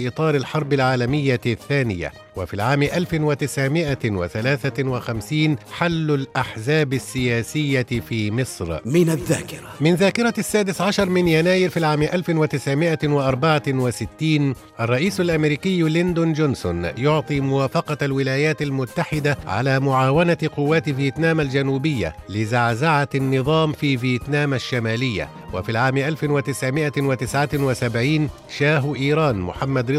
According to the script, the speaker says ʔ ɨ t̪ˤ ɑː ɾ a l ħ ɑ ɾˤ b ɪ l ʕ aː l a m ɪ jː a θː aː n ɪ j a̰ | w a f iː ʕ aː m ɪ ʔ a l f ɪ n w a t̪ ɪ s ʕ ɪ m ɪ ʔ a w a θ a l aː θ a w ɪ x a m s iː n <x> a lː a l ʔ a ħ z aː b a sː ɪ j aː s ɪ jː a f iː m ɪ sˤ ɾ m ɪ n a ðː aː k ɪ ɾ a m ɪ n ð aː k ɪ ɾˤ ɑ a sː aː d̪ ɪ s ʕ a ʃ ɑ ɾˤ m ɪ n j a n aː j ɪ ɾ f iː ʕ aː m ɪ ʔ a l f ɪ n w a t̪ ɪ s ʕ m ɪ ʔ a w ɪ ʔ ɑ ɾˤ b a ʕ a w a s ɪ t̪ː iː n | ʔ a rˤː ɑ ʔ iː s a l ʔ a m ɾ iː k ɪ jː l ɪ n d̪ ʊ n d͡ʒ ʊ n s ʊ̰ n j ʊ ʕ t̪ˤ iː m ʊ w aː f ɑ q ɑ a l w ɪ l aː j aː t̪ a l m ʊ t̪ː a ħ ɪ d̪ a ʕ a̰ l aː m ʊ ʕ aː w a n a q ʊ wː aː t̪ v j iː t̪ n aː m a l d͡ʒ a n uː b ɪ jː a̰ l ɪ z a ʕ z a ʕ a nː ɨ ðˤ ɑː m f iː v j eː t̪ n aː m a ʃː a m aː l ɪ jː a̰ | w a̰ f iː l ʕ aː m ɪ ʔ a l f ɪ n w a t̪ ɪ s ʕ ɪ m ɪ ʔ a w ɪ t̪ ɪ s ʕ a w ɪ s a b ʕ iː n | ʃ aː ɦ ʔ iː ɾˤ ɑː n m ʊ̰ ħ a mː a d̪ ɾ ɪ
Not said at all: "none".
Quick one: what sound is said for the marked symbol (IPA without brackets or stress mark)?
ħ